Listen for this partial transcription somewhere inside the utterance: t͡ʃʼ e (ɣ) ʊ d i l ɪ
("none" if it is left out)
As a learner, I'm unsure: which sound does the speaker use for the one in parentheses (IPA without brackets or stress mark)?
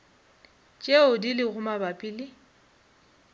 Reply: none